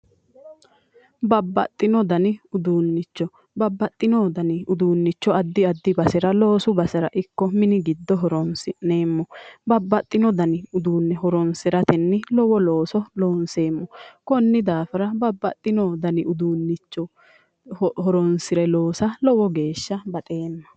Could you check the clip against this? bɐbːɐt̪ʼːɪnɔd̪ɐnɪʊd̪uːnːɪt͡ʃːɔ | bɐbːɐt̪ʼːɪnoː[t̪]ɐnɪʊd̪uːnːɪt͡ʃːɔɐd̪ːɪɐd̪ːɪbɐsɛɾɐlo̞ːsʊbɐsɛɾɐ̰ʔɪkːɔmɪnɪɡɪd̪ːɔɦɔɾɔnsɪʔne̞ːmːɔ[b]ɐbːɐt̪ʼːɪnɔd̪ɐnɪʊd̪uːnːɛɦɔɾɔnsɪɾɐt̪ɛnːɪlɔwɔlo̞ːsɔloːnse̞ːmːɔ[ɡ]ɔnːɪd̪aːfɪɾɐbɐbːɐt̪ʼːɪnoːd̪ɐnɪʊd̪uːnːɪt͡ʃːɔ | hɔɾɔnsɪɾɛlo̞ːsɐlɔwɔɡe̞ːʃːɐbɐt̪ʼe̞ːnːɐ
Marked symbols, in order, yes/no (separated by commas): no, yes, no